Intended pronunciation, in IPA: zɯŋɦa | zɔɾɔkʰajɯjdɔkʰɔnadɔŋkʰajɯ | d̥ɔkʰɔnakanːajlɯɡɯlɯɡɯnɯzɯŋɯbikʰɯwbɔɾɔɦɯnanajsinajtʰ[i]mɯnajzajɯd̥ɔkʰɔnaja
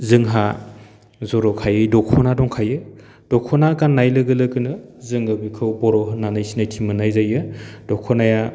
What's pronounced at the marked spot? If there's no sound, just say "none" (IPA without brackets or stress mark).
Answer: i